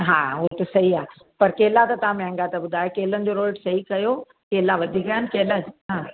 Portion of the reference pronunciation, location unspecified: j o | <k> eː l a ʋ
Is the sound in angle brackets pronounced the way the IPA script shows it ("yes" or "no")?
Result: yes